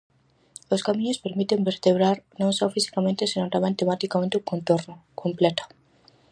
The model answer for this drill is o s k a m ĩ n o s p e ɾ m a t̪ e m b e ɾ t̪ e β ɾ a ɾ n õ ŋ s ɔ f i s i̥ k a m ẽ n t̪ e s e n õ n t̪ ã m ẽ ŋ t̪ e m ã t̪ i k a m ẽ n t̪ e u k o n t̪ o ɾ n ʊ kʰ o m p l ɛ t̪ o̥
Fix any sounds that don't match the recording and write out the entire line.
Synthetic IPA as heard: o s k a m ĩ ɲ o s p e ɾ m i t̪ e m b e ɾ t̪ e β ɾ a ɾ n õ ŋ s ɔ f i s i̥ k a m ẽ n t̪ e s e n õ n t̪ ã m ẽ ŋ t̪ e m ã t̪ i k a m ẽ n t̪ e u k o n t̪ o ɾ n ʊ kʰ o m p l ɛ t̪ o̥